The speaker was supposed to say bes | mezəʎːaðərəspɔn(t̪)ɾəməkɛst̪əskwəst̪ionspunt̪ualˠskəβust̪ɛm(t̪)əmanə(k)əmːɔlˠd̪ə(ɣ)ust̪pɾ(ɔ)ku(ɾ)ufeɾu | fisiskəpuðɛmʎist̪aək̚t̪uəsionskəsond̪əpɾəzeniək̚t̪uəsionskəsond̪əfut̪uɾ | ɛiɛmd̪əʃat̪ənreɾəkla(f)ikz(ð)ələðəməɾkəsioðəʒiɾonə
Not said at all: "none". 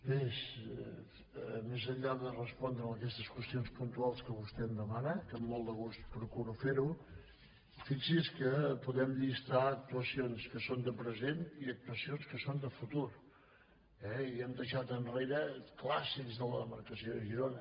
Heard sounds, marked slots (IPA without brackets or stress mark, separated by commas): d̪, d̪, k, ɣ, u, ɾ, s, ð